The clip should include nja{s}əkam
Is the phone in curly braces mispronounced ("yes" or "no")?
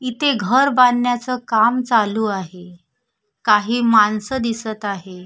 yes